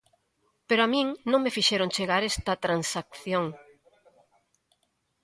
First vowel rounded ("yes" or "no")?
no